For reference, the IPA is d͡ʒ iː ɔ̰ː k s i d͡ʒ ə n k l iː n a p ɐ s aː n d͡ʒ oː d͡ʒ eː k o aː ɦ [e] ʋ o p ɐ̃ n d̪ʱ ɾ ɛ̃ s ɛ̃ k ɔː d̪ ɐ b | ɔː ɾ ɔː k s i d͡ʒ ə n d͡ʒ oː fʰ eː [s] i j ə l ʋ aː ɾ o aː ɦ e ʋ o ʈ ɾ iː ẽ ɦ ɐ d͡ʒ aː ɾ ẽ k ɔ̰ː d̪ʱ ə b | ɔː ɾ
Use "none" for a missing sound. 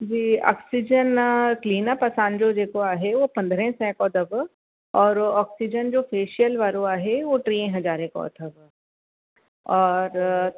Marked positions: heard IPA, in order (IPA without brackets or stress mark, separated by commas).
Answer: e, ʃ